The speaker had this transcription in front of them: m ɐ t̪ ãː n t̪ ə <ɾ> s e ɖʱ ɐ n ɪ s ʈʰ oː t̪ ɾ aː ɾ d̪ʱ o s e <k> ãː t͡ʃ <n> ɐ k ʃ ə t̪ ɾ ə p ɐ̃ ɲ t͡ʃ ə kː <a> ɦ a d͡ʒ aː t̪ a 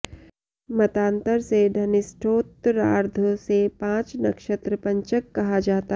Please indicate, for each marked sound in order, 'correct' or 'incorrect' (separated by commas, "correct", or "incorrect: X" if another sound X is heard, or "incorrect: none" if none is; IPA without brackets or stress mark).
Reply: correct, incorrect: p, correct, incorrect: ɐ